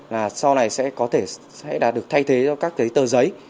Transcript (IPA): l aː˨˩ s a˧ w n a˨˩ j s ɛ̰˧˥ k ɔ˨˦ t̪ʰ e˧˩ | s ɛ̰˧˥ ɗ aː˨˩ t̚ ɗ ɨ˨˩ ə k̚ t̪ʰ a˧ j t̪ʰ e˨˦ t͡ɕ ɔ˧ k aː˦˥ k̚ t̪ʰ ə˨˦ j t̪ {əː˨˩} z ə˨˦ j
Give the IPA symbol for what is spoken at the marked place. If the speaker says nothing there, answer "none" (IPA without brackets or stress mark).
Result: əː˨˩